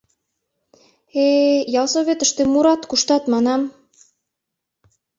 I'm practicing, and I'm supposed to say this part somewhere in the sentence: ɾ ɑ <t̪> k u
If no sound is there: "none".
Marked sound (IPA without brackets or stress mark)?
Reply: t̪